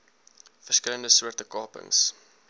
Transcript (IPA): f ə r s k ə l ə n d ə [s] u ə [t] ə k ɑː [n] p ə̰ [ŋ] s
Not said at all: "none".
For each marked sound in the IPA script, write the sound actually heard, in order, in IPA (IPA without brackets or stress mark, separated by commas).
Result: s, t, none, ŋ